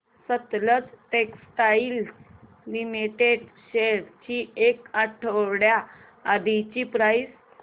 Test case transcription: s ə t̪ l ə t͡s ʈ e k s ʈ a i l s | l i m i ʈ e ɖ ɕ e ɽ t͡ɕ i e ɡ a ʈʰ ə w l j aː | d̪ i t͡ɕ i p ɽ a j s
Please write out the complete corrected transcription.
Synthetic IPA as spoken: s ə t̪ l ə t͡s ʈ e k s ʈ a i l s | l i m i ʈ e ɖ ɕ e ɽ t͡ɕ i e k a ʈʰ ə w ɽ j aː | d̪ i t͡ɕ i p ɾ a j s